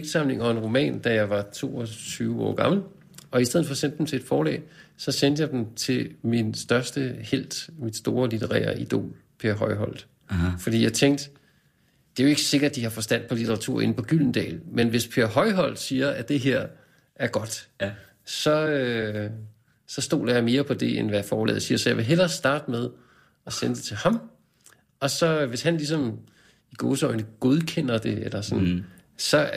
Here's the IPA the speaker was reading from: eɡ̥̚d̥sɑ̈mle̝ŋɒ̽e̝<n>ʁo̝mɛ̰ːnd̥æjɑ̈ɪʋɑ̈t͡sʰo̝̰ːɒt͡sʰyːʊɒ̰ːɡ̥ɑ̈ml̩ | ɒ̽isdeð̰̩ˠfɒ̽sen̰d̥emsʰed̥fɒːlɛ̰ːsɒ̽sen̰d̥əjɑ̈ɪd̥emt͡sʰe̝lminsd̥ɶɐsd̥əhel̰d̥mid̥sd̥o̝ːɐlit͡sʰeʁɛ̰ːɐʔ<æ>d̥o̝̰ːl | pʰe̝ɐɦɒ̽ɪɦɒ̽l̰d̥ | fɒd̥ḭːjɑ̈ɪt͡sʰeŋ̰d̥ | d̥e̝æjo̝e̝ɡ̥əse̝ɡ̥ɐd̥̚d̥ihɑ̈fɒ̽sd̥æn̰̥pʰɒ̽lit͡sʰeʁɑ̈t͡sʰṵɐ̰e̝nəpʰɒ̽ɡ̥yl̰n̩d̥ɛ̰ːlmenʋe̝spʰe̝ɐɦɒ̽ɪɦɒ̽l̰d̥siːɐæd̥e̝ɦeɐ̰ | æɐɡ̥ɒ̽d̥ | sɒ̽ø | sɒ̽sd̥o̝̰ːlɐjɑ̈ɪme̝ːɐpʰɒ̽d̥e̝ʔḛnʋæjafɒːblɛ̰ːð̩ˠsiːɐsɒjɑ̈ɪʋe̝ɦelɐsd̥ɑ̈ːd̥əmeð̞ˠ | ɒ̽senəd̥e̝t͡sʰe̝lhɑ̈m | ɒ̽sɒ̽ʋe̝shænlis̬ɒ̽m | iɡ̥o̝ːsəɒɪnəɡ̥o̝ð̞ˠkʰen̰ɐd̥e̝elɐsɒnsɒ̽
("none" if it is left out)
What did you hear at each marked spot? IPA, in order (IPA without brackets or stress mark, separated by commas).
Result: n, i